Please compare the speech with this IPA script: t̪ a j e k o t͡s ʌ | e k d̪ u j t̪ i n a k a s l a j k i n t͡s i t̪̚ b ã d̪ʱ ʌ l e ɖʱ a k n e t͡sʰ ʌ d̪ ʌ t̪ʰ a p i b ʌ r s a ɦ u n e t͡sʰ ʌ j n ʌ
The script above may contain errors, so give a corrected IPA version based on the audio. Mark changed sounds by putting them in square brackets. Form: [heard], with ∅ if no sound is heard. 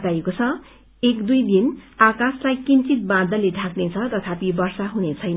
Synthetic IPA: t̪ a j e k o [t͡sʰ] ʌ | e k d̪ u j [d̪] i n a k a s l a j k i n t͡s i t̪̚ b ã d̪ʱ ʌ l e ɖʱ a k n e t͡sʰ ʌ [t̪] ʌ t̪ʰ a p i b ʌ r s a ɦ u n e t͡sʰ ʌ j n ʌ